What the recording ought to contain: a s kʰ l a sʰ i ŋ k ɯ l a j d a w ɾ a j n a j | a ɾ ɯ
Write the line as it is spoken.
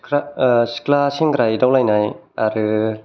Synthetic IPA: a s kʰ l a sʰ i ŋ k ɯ ɾ a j d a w l a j n a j | a ɾ ɯ